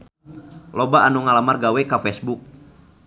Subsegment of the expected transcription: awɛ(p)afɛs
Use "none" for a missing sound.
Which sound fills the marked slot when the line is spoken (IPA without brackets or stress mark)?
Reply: k